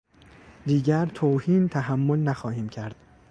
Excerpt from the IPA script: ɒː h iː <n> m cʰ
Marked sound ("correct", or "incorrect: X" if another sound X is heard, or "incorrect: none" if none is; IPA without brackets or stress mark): incorrect: none